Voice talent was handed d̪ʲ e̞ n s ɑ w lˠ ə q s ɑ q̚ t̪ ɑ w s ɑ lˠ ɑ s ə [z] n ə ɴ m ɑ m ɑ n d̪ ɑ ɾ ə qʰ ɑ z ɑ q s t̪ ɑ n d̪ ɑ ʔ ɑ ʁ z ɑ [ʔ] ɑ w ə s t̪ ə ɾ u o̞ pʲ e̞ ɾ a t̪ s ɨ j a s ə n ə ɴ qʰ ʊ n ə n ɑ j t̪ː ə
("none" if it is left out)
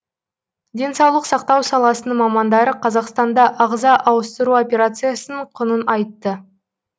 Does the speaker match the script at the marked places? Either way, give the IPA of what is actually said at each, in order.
none, ʔ

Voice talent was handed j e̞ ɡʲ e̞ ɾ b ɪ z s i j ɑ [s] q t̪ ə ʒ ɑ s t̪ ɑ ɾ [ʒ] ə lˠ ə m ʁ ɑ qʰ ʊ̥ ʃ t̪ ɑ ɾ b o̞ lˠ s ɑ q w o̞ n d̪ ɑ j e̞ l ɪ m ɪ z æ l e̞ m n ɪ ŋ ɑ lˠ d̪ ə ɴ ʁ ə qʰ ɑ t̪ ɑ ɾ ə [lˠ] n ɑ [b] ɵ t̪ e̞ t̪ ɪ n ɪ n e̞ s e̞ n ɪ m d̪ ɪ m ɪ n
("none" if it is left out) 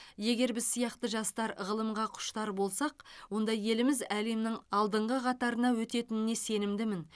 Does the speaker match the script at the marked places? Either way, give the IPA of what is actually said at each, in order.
none, ʁ, none, w

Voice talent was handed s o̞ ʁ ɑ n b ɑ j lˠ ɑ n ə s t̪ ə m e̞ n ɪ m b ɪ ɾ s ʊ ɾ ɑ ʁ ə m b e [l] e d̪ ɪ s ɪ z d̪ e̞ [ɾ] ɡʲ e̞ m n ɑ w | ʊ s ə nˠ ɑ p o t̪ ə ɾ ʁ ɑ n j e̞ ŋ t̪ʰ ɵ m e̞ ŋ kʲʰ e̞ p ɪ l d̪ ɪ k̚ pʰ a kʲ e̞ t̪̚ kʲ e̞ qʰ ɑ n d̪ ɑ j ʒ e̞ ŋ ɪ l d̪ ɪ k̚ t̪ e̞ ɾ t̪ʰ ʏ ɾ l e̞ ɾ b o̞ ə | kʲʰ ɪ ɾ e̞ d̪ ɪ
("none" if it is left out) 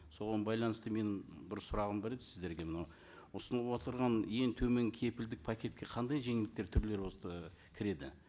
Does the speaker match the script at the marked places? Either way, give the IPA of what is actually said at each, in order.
ɾ, ɾ

